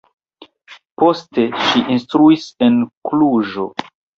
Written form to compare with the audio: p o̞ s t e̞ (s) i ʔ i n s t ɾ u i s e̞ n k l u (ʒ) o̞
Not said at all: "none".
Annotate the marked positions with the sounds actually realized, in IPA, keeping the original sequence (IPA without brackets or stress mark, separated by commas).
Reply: ʃ, ʒ